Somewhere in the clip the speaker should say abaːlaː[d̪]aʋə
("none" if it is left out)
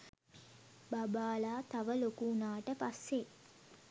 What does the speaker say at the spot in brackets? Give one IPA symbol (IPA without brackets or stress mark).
t̪